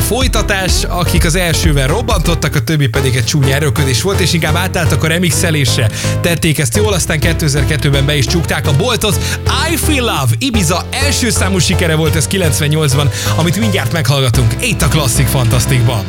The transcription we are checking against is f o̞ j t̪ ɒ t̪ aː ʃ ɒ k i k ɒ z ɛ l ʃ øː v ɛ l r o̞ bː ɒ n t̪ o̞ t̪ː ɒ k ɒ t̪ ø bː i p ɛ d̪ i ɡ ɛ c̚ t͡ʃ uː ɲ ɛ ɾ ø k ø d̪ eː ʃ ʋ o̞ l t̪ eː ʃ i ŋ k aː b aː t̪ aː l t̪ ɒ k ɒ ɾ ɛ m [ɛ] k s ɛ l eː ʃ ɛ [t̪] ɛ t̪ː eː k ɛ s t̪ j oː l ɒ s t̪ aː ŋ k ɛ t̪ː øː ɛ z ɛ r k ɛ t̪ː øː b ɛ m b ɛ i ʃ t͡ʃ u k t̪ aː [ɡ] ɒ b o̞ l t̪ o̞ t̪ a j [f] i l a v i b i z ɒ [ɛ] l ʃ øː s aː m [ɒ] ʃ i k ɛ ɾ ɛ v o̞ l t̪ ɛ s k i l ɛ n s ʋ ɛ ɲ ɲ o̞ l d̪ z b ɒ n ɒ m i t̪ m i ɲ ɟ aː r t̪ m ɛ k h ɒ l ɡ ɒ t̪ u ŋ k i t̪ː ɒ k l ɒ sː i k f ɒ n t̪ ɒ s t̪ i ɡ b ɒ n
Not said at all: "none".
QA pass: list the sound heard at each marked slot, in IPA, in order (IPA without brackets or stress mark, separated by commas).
i, t̪, k, f, ɛ, u